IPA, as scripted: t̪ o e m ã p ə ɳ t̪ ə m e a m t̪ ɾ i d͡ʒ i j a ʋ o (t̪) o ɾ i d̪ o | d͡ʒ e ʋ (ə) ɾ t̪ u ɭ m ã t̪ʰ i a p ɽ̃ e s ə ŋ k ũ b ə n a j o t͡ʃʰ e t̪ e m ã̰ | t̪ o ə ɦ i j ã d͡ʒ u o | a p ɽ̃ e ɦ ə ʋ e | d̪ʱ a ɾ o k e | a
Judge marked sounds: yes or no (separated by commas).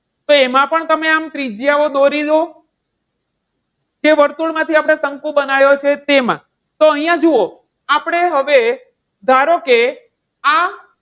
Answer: no, yes